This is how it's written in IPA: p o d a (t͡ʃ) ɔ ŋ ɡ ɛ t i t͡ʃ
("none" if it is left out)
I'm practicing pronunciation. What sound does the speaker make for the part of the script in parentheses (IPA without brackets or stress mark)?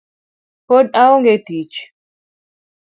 none